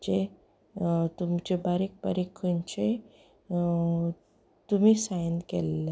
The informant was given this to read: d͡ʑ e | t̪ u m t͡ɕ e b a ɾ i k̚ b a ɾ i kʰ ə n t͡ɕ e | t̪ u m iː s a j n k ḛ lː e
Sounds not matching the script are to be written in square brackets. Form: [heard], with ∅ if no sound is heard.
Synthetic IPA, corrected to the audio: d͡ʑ e | t̪ u m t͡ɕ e b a ɾ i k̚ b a ɾ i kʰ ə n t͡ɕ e | t̪ u m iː s a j n k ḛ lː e